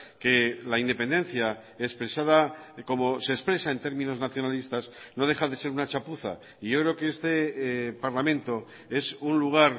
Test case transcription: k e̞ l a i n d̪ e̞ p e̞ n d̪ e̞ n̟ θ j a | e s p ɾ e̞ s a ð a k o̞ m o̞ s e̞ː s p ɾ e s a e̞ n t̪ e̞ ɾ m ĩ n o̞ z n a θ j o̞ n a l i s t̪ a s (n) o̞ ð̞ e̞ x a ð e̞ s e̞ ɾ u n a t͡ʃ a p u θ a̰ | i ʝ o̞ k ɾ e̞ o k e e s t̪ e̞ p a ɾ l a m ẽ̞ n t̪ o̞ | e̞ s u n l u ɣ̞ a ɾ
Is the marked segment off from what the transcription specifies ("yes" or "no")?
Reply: no